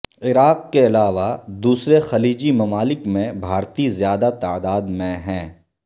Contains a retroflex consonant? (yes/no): no